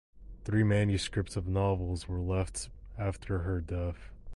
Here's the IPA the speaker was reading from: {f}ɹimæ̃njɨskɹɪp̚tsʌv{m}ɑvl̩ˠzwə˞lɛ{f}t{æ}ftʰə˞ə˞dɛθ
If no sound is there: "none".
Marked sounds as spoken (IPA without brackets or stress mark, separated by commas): θ, n, f, æ